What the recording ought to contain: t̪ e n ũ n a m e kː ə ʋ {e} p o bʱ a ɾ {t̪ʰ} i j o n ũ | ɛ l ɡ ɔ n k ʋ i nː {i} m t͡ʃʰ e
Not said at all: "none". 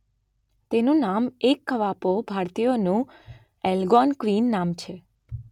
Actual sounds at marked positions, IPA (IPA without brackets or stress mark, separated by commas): a, t̪, a